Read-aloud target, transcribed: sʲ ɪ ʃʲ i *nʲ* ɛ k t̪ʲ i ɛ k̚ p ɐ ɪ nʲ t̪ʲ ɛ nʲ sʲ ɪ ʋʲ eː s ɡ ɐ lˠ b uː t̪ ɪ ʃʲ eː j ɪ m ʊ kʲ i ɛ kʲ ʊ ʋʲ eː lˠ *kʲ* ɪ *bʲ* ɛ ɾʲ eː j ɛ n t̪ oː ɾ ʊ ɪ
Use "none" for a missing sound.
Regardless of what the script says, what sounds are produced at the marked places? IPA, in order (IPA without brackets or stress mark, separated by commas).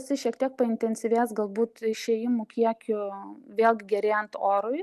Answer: none, ɡʲ, ɡʲ